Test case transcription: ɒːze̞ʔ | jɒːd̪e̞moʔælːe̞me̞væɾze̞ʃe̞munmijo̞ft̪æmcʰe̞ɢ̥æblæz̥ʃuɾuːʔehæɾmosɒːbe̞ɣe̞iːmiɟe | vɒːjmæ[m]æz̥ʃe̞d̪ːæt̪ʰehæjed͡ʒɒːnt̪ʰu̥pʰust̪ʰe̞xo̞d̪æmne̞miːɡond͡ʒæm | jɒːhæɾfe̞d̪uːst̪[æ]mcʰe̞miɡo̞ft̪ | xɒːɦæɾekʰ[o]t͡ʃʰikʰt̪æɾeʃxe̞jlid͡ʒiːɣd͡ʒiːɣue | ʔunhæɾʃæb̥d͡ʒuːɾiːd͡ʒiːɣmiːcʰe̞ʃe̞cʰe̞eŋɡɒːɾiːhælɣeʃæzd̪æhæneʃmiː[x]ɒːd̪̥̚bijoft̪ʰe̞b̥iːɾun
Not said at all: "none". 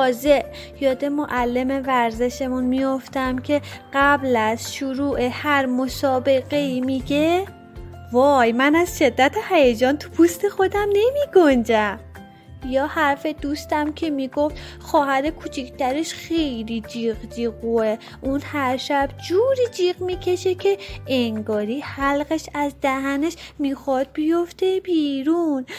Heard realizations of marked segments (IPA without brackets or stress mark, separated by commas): n, æ, u, x